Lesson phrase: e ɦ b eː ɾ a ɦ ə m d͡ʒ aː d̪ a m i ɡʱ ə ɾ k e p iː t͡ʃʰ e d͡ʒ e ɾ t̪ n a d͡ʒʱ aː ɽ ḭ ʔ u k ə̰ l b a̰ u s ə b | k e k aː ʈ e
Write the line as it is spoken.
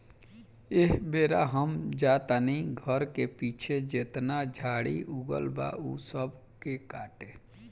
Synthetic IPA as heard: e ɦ b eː ɾ a ɦ ə m d͡ʒ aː t̪ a n i ɡʱ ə ɾ k e p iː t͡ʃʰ e d͡ʒ e t̪ n a d͡ʒʱ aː ɽ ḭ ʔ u ɡ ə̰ l b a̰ u s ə b | k e k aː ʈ e